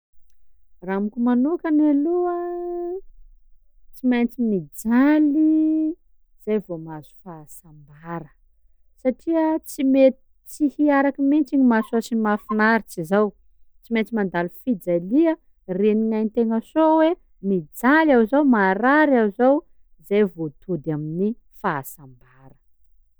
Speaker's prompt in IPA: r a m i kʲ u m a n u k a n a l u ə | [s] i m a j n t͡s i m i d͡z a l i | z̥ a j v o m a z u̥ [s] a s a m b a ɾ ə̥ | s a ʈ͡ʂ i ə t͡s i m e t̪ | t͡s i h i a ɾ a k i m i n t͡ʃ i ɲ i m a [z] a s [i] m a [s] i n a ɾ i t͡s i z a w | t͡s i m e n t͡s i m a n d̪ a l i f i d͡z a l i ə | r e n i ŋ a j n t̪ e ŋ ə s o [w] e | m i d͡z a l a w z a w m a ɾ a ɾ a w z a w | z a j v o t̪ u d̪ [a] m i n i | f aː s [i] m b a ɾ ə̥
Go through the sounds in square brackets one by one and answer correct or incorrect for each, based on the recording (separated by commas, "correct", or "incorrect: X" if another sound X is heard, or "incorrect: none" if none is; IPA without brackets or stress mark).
incorrect: t͡s, incorrect: f, incorrect: s, correct, incorrect: f, correct, correct, incorrect: a